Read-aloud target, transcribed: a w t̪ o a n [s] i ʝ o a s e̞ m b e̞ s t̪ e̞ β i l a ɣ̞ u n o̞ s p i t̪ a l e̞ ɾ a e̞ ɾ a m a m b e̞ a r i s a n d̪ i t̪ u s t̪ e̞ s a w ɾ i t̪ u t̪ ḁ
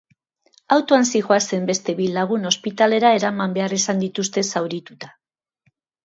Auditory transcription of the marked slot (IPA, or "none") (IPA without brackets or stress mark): s